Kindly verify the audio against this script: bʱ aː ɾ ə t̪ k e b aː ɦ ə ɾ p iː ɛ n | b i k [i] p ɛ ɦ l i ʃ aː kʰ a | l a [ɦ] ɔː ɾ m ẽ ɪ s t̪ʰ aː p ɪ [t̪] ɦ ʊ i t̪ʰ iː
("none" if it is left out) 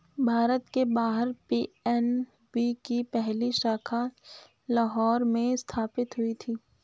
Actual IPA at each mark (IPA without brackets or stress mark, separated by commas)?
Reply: i, ɦ, t̪